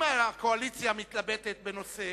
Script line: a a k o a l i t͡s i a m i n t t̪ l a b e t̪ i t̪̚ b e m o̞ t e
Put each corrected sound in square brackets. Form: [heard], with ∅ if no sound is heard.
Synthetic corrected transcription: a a k o a l i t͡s [j] a m i [∅] t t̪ l a b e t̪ [e] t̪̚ b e [n] o̞ [s] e